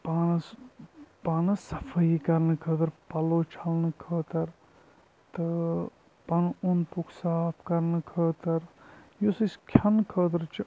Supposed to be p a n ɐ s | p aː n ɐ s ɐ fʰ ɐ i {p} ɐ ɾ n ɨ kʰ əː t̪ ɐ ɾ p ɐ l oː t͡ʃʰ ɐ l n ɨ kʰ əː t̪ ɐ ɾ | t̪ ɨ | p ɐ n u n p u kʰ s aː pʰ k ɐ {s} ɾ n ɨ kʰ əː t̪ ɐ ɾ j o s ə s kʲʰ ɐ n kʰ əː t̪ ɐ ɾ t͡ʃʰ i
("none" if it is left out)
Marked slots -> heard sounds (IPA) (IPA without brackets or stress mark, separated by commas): k, none